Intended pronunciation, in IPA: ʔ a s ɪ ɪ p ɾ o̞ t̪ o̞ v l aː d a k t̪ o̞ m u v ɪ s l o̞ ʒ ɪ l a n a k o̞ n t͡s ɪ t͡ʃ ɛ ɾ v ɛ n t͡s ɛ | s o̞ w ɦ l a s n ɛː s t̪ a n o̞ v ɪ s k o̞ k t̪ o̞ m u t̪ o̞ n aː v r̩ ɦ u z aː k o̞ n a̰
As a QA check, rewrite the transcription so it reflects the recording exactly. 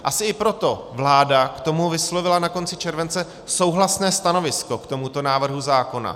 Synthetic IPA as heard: ʔ a s ɪ ɪ p ɾ o̞ t̪ o̞ v l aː d a k t̪ o̞ m u v ɪ s l o̞ v ɪ l a n a k o̞ n t͡s ɪ t͡ʃ ɛ ɾ v ɛ n t͡s ɛ | s o̞ w ɦ l a s n ɛː s t̪ a n o̞ v ɪ s k o̞ k t̪ o̞ m u t̪ o̞ n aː v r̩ ɦ u z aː k o̞ n a̰